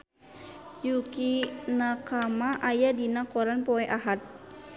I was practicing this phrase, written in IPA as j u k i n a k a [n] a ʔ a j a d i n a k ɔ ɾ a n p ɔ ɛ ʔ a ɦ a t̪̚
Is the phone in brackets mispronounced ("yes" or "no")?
yes